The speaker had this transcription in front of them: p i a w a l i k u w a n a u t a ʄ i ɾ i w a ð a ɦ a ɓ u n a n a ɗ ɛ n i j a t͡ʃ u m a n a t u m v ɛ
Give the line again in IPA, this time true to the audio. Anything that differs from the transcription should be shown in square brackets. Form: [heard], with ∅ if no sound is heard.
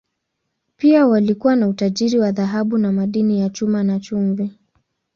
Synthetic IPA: p i a w a l i k u w a n a u t a ʄ i ɾ i w a ð a ɦ a ɓ u n a [m] a ɗ [i] n i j a t͡ʃ u m a n a [t͡ʃ] u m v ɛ